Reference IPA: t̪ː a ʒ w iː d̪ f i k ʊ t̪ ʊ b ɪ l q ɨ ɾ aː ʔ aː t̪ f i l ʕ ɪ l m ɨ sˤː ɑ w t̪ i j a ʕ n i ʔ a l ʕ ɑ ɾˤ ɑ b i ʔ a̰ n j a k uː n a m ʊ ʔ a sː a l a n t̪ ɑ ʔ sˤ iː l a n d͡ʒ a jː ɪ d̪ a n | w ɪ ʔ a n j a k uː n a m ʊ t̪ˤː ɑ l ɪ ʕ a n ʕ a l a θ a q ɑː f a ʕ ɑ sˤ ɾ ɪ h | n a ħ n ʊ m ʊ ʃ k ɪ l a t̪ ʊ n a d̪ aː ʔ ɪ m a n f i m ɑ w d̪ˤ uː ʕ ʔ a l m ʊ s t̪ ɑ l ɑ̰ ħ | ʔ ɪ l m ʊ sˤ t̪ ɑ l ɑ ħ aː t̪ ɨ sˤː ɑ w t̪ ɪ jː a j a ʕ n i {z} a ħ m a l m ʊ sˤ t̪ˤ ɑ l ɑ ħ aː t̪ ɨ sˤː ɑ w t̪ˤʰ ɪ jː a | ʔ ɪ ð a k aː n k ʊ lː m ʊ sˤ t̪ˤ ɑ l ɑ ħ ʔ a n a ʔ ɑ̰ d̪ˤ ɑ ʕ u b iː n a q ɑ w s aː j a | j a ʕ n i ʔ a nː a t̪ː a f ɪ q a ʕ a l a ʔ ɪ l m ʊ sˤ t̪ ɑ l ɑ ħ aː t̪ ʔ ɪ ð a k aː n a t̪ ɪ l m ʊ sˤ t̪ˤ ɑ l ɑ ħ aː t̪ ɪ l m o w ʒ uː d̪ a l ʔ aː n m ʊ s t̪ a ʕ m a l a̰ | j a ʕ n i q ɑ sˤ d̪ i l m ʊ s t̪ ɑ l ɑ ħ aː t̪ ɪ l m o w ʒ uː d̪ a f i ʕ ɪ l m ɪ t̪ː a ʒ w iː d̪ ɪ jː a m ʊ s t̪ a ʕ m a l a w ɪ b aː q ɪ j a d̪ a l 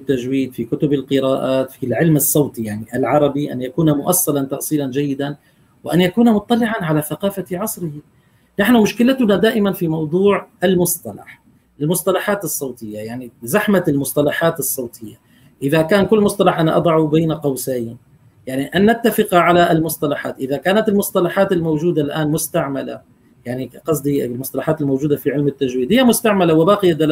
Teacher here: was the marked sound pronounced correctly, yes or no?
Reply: yes